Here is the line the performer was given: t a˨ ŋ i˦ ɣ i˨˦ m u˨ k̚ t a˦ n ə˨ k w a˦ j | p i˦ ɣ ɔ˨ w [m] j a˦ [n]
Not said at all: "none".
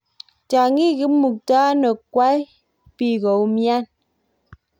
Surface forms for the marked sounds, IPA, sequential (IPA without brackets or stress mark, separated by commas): m, n